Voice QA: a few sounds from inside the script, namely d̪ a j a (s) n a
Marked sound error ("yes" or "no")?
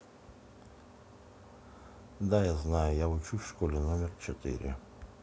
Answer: yes